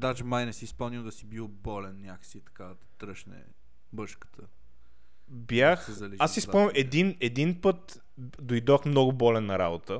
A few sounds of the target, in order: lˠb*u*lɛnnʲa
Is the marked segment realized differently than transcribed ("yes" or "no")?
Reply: yes